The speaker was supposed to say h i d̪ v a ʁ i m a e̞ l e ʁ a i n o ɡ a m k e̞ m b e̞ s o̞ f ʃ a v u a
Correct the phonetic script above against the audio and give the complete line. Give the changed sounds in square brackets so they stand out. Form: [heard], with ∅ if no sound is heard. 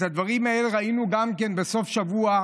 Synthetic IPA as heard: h [a] d̪ v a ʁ i m a e̞ l e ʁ a i n [u] ɡ a m k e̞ [n] b e̞ s o̞ f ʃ a v u a